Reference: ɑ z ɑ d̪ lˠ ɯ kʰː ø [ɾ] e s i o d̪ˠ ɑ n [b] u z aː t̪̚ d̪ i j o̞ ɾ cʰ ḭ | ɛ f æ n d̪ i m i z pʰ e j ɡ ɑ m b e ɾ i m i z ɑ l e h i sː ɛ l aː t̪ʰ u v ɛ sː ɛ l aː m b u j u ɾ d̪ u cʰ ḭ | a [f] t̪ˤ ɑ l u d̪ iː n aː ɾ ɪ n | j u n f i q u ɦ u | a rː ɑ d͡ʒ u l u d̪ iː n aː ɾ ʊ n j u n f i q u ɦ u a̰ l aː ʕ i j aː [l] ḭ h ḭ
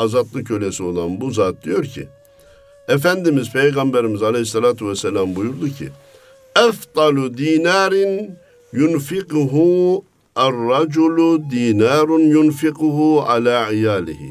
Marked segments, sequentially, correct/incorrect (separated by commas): incorrect, correct, correct, correct